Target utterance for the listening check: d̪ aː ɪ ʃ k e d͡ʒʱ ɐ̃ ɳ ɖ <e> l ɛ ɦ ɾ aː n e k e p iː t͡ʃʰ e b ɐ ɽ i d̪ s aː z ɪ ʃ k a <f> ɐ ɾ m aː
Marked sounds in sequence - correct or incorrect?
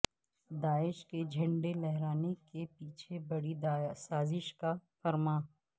correct, correct

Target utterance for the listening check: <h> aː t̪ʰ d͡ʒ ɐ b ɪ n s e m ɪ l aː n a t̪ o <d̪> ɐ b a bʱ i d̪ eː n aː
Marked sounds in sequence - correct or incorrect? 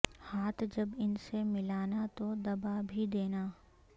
correct, correct

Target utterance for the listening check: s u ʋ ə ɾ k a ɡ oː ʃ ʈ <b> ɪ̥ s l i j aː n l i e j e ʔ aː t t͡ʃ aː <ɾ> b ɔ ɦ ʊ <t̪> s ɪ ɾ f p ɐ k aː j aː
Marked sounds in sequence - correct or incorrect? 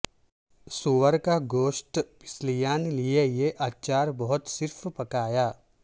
incorrect: p, correct, correct

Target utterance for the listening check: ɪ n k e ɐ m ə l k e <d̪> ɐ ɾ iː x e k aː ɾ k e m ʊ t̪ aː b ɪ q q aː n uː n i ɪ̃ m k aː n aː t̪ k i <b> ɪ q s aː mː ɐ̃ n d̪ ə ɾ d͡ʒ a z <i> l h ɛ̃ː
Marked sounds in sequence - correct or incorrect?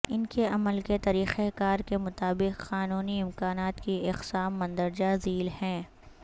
incorrect: t̪, incorrect: none, incorrect: iː

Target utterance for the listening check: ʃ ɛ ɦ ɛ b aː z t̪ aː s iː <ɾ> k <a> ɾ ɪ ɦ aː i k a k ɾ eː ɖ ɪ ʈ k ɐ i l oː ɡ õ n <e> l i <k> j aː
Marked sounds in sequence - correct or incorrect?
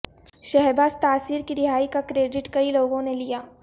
correct, incorrect: i, correct, incorrect: none

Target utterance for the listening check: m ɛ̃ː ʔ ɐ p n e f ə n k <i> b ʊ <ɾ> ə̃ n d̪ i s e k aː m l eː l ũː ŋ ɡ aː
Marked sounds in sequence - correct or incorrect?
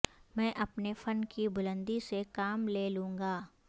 correct, incorrect: l

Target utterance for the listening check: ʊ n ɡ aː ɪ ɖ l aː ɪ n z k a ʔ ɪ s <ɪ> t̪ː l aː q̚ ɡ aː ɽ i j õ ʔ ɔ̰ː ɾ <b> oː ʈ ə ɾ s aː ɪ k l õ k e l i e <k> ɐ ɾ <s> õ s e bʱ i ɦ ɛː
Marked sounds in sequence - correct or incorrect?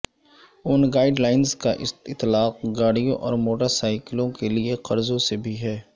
correct, incorrect: m, incorrect: q, incorrect: z

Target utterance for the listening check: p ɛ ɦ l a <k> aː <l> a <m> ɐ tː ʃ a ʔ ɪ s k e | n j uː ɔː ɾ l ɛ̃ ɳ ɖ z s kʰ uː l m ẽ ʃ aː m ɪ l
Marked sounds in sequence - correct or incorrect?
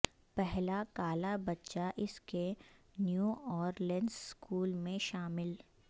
correct, correct, incorrect: b

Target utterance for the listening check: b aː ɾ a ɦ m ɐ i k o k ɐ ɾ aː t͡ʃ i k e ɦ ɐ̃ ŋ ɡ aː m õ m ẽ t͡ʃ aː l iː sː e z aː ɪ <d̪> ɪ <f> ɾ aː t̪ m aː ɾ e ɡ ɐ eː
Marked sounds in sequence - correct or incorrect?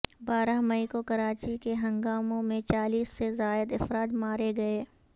correct, correct

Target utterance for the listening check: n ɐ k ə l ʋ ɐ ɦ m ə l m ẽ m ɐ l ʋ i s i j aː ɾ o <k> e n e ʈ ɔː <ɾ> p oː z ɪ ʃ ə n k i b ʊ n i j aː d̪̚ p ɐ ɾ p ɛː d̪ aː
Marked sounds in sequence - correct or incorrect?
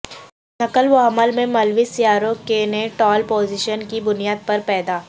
correct, incorrect: l

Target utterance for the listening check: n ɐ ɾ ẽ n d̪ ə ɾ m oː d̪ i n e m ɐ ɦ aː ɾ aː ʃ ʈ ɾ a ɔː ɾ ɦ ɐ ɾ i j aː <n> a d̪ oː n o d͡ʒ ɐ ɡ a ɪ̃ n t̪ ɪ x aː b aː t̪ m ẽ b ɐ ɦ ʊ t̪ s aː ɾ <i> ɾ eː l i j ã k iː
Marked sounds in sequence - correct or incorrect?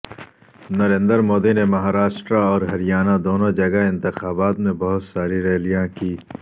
correct, correct

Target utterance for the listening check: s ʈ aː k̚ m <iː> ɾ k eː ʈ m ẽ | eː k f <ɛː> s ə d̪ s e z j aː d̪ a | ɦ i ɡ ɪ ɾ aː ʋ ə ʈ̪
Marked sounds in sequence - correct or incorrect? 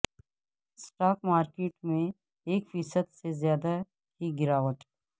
incorrect: aː, incorrect: iː

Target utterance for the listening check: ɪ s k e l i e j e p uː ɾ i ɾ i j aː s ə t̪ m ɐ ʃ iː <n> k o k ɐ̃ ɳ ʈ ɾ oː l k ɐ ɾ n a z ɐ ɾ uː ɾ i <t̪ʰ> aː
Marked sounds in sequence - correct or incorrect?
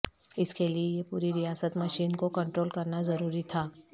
correct, correct

